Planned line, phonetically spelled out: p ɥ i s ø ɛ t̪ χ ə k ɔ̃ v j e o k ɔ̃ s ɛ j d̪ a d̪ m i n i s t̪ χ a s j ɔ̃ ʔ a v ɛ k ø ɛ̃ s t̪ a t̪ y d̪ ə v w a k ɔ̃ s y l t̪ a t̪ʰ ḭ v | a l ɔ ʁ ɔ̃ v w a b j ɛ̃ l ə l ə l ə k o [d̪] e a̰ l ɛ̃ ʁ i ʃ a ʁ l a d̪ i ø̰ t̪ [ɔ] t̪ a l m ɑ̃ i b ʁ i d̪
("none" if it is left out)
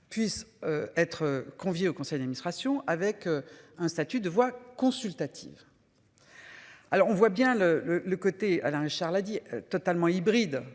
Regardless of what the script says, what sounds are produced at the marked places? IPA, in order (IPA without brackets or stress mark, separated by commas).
t̪, ɔ